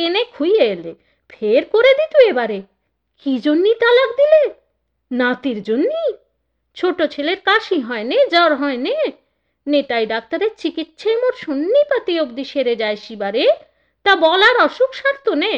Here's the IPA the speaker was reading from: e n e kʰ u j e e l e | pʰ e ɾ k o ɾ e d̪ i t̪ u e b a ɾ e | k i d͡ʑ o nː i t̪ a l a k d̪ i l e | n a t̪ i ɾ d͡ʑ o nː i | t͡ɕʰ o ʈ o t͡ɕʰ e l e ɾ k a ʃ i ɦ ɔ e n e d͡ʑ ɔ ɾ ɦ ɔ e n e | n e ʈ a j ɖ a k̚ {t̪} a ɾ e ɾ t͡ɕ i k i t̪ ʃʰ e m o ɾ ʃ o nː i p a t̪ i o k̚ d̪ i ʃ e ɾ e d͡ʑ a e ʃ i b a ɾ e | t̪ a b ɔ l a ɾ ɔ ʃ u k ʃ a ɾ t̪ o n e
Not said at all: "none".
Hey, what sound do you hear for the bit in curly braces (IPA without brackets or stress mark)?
t̪